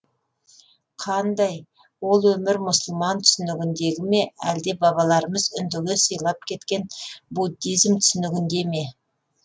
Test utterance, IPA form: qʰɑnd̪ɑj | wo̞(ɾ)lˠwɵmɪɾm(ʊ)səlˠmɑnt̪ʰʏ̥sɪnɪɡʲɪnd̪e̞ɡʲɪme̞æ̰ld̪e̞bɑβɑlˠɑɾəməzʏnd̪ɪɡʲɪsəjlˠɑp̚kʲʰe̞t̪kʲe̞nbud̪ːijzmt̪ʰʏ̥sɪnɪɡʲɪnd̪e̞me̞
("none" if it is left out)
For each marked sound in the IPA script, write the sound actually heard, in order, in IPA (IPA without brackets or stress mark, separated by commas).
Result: none, ʊ